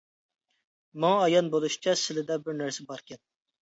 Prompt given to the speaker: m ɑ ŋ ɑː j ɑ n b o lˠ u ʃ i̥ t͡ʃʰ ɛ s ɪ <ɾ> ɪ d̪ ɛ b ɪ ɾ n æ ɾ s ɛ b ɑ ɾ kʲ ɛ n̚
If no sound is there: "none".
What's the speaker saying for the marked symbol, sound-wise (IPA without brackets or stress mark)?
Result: l